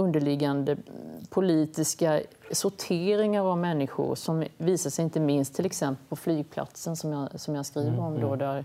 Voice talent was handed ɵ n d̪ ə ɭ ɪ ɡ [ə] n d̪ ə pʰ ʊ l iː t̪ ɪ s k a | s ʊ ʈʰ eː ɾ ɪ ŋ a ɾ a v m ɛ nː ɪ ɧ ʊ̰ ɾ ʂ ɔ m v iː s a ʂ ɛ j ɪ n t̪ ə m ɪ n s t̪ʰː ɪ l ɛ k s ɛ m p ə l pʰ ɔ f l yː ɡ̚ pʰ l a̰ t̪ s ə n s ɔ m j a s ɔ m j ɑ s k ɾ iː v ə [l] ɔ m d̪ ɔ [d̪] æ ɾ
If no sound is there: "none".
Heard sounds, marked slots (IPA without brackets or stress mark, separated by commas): a, ɾ, d̪